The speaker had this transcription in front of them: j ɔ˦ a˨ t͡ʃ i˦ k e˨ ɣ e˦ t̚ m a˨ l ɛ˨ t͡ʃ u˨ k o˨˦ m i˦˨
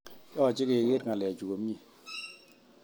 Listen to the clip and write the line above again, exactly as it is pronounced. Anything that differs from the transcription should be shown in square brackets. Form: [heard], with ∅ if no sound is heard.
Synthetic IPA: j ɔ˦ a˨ t͡ʃ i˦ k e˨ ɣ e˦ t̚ [ŋ] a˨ l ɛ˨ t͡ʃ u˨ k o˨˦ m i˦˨